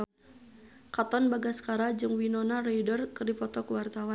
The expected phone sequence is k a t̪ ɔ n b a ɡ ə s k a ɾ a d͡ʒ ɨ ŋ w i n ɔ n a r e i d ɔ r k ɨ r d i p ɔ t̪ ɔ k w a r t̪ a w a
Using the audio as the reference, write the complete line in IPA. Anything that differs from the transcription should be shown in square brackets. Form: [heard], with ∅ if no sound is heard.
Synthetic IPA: k a t̪ ɔ n b a ɡ [a] s k a ɾ a d͡ʒ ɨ ŋ w i n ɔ n a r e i d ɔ r k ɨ r d i p ɔ t̪ ɔ k w a r t̪ a w a